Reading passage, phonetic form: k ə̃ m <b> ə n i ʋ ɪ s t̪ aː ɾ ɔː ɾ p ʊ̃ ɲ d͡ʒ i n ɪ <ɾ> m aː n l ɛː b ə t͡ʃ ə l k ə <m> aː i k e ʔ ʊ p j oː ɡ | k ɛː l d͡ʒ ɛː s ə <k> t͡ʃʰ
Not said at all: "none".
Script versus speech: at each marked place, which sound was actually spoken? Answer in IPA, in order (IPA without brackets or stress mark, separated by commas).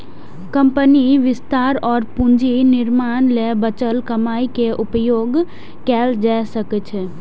p, ɾ, m, k